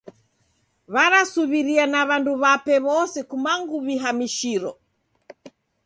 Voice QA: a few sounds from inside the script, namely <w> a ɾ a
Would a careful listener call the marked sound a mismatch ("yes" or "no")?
yes